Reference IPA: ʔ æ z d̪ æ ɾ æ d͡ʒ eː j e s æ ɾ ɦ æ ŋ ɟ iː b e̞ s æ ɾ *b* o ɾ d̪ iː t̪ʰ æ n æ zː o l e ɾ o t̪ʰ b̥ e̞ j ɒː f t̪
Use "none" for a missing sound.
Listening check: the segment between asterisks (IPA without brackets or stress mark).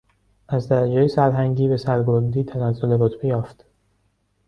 ɡ